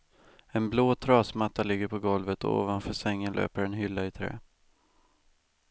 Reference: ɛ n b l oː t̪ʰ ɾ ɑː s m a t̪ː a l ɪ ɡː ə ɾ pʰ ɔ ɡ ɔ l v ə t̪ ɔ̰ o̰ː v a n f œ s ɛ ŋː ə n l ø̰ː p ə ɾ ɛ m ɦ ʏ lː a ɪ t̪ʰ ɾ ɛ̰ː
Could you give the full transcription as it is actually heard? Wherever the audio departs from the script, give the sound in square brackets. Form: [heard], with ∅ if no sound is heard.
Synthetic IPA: ɛ n b l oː t̪ʰ ɾ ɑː s m a t̪ː a l ɪ ɡː ə ɾ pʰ ɔ ɡ ɔ l v ə t̪ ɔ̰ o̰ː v a n f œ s ɛ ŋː ə n l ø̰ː p ə ɾ ɛ [n] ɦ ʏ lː a ɪ t̪ʰ ɾ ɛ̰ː